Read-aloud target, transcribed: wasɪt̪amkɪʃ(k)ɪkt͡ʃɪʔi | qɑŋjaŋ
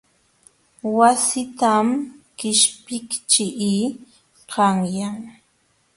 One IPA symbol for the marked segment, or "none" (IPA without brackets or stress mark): p